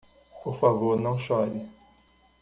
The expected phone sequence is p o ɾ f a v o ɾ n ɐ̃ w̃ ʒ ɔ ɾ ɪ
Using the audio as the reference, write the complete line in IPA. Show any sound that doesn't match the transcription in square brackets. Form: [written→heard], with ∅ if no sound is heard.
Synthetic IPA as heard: p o ɾ f a v o ɾ n ɐ̃ w̃ [ʒ→ʃ] ɔ ɾ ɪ